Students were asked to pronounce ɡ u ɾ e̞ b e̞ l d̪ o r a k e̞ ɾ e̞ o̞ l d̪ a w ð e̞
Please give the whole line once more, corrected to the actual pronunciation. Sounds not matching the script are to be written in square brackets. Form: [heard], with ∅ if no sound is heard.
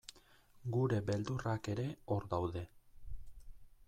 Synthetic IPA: ɡ u ɾ e̞ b e̞ l d̪ [u] r a k e̞ ɾ e̞ o̞ [ɾ] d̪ a w ð e̞